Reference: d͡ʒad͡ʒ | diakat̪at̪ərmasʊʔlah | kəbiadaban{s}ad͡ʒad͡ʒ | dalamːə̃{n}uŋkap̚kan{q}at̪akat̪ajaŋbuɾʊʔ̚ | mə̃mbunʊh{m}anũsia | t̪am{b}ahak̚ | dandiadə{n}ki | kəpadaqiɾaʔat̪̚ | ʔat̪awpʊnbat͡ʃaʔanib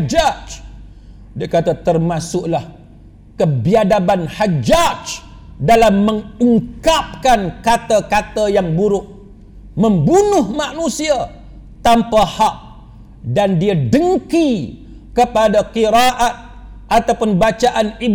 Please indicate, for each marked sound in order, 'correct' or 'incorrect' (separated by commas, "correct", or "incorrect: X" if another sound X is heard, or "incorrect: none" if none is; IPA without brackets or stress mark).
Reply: incorrect: h, incorrect: ŋ, incorrect: k, correct, incorrect: p, incorrect: ŋ